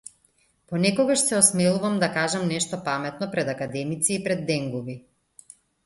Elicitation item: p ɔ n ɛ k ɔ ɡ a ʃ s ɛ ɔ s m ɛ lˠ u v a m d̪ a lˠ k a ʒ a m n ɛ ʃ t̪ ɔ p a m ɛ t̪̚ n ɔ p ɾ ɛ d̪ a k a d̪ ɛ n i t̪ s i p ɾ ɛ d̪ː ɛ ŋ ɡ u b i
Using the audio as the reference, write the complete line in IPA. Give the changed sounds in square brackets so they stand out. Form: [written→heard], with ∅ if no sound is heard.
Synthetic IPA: p ɔ n ɛ k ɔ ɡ a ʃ s ɛ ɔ s m ɛ lˠ u v a m d̪ a [lˠ→∅] k a ʒ a m n ɛ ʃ t̪ ɔ p a m ɛ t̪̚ n ɔ p ɾ ɛ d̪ a k a d̪ ɛ [n→m] i t̪ s [i→iː] p ɾ ɛ d̪ː ɛ ŋ ɡ u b i